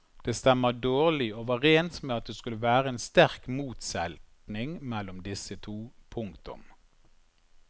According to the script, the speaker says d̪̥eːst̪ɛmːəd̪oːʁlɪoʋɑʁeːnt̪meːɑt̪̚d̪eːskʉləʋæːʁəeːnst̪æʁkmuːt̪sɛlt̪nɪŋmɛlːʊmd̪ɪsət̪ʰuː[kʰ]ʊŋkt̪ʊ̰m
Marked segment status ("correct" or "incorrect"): incorrect